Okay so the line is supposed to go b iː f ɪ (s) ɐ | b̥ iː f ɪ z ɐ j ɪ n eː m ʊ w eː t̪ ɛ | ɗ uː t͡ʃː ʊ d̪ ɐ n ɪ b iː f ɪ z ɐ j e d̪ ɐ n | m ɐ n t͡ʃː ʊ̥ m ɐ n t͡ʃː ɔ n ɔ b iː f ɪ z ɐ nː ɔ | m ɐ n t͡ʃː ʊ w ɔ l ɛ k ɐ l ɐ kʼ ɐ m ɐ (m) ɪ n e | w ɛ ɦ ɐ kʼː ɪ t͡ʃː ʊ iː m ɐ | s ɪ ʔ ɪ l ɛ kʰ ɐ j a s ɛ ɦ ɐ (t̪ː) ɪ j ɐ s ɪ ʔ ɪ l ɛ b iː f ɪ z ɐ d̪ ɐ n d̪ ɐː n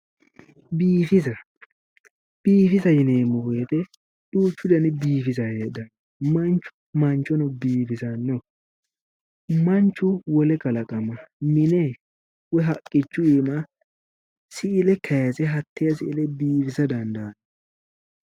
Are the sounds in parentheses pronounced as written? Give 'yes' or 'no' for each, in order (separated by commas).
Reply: no, yes, yes